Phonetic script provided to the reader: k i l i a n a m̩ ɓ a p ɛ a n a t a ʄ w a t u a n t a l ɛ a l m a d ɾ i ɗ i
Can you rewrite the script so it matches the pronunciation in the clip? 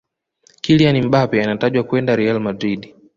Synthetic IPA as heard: k i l i a n i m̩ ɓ a p ɛ a n a t a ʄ w a k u ɛ n d a ɾ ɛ a l m a d ɾ i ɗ i